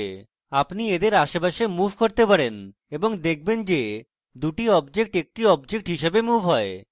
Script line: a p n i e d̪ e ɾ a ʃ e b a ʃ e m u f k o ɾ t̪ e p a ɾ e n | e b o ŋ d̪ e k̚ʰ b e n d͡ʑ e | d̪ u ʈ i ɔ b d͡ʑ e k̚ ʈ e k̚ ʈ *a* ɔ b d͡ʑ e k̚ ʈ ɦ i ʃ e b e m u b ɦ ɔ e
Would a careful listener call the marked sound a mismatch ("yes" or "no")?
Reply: yes